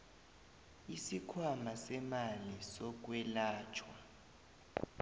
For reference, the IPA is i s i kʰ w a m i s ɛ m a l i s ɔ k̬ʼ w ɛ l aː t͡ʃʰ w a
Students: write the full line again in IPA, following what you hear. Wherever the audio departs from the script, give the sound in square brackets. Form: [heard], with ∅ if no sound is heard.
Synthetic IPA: i s i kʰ w a m [a] s ɛ m a l i s ɔ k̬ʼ w ɛ l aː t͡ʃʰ w a

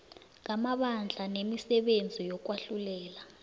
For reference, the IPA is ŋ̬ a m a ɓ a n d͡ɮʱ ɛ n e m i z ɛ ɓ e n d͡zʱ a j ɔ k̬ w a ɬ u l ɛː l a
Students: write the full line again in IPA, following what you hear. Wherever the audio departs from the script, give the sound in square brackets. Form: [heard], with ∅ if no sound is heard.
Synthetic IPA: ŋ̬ a m a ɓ a n d͡ɮʱ [a] n e m i [s] ɛ ɓ e n d͡zʱ [i] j ɔ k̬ w a ɬ u l ɛː l a

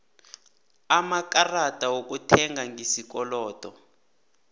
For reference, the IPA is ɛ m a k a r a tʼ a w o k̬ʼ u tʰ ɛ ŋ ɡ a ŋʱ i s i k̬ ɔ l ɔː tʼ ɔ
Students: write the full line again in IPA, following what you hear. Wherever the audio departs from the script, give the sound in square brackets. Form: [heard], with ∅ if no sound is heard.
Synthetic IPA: [a] m a k a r a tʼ a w o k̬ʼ u tʰ ɛ ŋ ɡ a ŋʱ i s i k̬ ɔ l ɔː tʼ ɔ

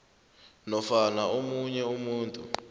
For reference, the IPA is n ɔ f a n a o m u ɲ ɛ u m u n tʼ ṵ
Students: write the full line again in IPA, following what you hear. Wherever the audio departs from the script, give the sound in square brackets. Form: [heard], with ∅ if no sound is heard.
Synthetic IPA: n ɔ f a n a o m u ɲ ɛ u m [uː] n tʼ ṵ

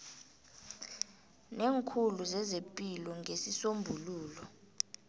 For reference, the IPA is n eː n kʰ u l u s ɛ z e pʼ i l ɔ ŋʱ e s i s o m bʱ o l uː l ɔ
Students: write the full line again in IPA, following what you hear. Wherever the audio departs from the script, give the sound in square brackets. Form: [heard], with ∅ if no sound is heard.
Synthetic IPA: n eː [ŋ] kʰ u l u [z] ɛ z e pʼ i l ɔ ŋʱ e s i s o m bʱ [u] l uː l ɔ

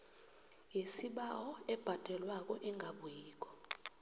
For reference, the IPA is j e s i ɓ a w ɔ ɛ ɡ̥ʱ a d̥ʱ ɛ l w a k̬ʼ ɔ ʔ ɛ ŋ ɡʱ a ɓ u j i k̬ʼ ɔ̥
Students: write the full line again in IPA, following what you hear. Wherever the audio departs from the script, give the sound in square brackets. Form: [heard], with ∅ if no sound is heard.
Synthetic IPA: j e s i ɓ a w ɔ ɛ [b̥ʱ] a d̥ʱ ɛ l w a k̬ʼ ɔ ʔ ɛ ŋ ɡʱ a ɓ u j [iː] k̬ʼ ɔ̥

